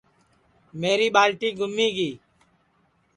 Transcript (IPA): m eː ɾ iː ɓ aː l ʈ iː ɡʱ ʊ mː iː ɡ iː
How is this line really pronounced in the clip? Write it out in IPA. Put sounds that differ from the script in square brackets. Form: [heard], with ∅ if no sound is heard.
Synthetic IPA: m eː ɾ iː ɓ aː l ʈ iː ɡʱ ʊ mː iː ɡ iː